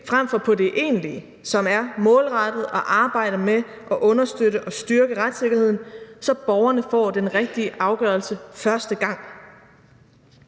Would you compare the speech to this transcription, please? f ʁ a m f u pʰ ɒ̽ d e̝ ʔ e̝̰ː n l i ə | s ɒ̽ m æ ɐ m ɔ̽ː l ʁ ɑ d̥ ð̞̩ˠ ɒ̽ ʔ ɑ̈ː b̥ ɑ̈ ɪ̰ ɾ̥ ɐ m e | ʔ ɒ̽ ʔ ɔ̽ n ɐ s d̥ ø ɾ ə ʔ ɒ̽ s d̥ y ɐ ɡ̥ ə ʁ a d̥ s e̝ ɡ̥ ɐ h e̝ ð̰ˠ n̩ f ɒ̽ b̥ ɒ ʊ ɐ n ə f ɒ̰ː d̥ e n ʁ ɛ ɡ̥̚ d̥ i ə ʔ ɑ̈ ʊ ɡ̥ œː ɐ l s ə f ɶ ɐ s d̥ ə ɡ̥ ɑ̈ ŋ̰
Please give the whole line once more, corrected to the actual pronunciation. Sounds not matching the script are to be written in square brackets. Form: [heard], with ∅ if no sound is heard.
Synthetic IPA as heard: f ʁ a m f [ɒ] pʰ ɒ̽ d e̝ ʔ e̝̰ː n l i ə | s ɒ̽ m æ ɐ m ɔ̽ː l ʁ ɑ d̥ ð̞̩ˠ ɒ̽ ʔ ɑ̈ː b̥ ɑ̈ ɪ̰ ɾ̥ ɐ m e | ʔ ɒ̽ ʔ ɔ̽ n ɐ s d̥ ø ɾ ə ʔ ɒ̽ s d̥ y ɐ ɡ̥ ə ʁ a d̥ s e̝ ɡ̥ ɐ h e̝ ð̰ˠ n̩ [s] ɒ̽ b̥ ɒ ʊ ɐ n ə f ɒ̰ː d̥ e n ʁ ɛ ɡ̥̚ d̥ i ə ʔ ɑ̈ ʊ ɡ̥ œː ɐ l s ə f ɶ ɐ s d̥ ə ɡ̥ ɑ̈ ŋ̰